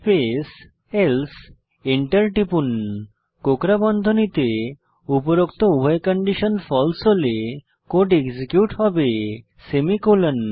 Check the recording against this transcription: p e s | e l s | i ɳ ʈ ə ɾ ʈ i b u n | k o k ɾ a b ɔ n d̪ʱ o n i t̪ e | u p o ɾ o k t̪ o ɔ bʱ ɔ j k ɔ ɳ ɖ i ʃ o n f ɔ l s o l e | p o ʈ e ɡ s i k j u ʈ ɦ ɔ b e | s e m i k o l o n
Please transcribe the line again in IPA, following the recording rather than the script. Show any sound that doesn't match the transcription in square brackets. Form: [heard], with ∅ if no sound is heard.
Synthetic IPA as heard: p e s | e l s | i ɳ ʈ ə ɾ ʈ i [p] u n | k o k ɾ a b ɔ n d̪ʱ o n i t̪ e | u p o ɾ o k t̪ o [u] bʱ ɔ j k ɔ ɳ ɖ i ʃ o n f ɔ l s o l e | [k] o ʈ e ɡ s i k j u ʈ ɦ ɔ b e | s e m i k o l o n